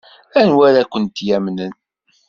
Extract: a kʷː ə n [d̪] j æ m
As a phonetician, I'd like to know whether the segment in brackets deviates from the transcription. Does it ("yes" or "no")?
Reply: yes